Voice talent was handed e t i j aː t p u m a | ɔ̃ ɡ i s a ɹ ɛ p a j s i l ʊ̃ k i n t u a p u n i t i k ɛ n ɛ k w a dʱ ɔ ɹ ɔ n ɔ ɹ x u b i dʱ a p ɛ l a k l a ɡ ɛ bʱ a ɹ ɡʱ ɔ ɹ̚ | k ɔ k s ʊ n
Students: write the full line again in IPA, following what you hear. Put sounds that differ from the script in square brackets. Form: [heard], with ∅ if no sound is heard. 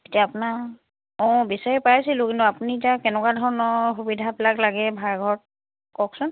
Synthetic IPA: e t i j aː [∅] p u [n] a | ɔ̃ [b] i s a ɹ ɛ p a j s i l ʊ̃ k i n t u a p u n i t [a] k ɛ n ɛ k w a dʱ ɔ ɹ ɔ n ɔ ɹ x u b i dʱ a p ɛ l a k l a ɡ ɛ bʱ a ɹ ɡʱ ɔ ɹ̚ | k ɔ k s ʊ n